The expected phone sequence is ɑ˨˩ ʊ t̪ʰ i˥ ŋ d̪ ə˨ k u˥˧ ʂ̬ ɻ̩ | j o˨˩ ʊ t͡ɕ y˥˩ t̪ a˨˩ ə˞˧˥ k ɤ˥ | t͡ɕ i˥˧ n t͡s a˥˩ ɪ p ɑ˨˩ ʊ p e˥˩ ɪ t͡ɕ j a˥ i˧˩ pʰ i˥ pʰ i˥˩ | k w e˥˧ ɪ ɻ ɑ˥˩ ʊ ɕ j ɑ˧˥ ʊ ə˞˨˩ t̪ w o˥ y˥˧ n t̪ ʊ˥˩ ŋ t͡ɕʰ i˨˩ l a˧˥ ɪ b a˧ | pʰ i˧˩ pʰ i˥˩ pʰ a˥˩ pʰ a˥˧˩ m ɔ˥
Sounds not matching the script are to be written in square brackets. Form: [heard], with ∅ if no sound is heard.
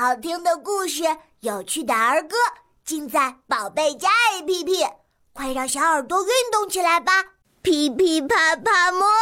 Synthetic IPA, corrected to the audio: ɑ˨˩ ʊ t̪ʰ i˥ ŋ d̪ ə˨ k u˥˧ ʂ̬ ɻ̩ | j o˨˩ ʊ [t͡ɕʰ] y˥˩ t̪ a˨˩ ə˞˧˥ k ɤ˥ | t͡ɕ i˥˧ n t͡s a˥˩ ɪ p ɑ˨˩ ʊ p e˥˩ ɪ t͡ɕ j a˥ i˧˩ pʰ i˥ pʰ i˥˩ | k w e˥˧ ɪ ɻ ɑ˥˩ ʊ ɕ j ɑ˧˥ ʊ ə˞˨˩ t̪ w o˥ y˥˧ n t̪ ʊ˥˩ ŋ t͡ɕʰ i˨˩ l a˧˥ ɪ b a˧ | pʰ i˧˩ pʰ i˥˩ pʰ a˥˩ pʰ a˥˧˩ m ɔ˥